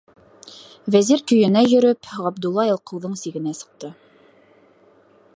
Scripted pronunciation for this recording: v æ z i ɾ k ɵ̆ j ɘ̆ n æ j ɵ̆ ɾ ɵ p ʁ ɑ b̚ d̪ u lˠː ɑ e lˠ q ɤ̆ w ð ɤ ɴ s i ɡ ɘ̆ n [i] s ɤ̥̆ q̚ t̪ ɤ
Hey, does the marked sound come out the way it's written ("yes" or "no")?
no